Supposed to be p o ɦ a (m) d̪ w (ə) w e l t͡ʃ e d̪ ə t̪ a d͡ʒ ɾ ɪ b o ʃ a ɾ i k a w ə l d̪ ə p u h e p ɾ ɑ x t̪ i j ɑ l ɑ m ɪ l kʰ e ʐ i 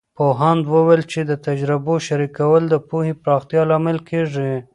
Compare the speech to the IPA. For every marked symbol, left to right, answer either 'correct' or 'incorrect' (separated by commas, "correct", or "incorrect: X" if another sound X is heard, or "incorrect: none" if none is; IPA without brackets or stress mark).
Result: incorrect: n, correct